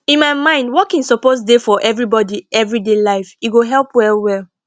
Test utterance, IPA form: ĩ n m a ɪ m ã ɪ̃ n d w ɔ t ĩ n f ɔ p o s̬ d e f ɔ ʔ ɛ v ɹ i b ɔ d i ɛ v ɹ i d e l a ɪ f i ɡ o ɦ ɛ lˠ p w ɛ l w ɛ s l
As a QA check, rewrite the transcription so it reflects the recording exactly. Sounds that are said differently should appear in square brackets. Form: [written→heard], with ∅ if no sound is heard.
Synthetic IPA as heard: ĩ n m a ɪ m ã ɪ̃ n d w ɔ [t→k] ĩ n [f→s] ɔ p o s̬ d e f ɔ ʔ ɛ v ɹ i b ɔ d i ɛ v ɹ i d e l a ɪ f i ɡ o ɦ ɛ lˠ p w ɛ l w ɛ [s→∅] l